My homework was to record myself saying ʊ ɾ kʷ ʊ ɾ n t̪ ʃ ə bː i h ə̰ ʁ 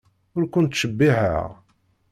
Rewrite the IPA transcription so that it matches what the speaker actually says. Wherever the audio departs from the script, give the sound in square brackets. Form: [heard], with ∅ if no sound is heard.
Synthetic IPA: ʊ ɾ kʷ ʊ [∅] n t̪ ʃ ə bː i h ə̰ ʁ